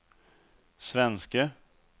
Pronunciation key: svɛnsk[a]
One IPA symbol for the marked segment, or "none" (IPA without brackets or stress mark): ə